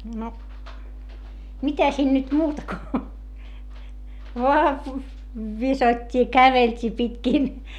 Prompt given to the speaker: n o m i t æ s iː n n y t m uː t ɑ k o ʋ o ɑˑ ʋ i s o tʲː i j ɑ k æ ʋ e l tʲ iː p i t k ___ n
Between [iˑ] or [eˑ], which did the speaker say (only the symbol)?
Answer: iˑ